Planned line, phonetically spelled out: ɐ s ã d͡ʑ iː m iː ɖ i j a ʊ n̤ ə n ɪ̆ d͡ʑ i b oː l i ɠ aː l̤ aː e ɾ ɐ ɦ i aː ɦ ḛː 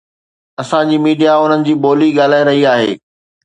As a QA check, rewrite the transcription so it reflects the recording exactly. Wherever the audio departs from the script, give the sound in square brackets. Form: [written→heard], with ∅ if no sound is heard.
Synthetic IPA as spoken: ɐ s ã d͡ʑ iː m iː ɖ i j a ʊ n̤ ə n ɪ̆ d͡ʑ [i→iː] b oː l i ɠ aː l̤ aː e ɾ ɐ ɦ i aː ɦ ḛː